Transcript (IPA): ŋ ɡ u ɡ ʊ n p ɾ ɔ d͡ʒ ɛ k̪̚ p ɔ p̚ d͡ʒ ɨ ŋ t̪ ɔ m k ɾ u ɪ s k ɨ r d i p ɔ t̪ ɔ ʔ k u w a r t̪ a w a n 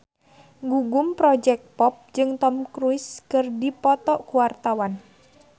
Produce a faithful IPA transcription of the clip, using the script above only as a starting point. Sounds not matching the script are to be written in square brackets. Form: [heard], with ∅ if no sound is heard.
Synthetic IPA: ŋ ɡ u ɡ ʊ [m] p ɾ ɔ d͡ʒ ɛ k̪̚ p ɔ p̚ d͡ʒ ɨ ŋ t̪ ɔ m k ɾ u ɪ s k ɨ r d i p ɔ t̪ ɔ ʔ k u w a r t̪ a w a n